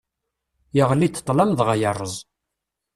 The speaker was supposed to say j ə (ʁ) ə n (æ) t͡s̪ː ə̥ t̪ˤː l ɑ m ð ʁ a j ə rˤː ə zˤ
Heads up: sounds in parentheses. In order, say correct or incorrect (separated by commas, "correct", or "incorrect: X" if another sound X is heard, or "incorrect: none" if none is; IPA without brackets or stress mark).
correct, incorrect: i